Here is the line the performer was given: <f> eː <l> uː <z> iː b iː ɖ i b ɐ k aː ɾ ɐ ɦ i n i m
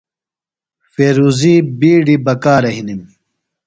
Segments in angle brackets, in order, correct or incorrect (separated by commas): correct, incorrect, correct